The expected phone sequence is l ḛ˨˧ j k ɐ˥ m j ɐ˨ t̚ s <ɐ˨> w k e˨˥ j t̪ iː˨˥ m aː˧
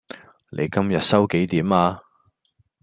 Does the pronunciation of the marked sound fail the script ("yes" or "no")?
yes